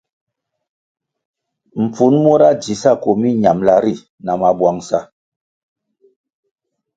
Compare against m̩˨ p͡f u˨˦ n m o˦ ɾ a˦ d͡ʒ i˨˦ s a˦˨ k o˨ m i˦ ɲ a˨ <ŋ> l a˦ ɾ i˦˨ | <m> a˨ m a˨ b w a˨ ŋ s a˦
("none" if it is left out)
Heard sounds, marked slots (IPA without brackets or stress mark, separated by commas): m, n